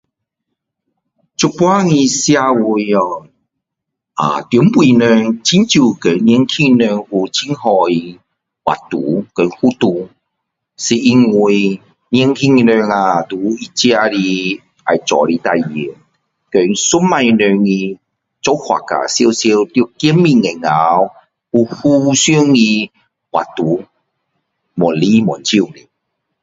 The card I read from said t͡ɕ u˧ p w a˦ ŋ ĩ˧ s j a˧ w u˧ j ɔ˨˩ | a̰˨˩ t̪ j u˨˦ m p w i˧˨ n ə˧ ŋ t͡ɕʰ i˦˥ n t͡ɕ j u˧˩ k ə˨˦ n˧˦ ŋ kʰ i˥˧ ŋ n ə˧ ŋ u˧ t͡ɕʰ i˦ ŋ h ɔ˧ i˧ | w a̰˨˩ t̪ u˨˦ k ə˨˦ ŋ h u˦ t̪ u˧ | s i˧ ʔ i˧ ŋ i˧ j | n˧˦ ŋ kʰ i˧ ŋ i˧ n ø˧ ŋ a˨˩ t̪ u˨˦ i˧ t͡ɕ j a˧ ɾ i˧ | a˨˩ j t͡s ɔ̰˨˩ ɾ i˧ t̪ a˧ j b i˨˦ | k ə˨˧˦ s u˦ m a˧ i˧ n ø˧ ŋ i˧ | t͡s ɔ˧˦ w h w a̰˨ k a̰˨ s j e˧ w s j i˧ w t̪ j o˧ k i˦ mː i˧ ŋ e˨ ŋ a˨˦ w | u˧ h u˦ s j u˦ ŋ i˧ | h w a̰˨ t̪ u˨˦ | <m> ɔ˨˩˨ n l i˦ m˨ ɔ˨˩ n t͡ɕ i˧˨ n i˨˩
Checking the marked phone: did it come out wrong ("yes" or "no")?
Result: no